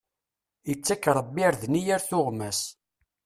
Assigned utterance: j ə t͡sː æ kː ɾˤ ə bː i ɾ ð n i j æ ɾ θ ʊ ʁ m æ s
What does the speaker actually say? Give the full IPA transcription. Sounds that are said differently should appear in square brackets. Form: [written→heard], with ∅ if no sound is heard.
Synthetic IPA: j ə t͡sː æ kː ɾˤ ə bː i ɾ ð n i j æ ɾ θ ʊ ʁ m æ s

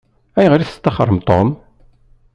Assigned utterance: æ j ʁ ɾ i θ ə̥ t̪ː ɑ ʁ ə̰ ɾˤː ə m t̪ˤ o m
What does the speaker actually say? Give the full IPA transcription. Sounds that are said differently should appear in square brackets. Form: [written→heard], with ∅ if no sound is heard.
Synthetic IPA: æ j ʁ ɾ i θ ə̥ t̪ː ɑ [ʁ→χ] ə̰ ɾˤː ə m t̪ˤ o m

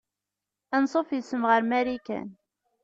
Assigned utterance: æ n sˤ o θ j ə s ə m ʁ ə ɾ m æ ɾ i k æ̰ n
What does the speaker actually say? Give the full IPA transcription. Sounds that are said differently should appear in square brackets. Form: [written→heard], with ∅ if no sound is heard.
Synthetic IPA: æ n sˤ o [θ→f] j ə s ə m ʁ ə ɾ m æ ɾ i k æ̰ n

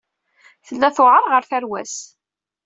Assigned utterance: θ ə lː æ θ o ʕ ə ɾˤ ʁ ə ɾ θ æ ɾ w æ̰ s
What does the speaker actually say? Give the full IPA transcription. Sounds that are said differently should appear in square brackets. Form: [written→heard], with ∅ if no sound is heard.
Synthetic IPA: θ ə lː æ θ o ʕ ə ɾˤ ʁ ə ɾ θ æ ɾ w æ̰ s

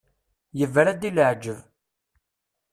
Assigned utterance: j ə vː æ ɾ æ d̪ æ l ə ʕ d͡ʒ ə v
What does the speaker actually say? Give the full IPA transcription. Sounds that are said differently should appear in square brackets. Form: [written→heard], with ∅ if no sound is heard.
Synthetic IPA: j ə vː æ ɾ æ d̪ [æ→i] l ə ʕ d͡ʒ ə v

